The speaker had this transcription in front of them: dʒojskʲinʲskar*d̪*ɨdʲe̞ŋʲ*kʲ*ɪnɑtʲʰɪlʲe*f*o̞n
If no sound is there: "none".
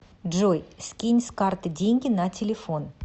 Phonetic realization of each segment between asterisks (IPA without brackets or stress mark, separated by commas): t̪, ɡʲ, f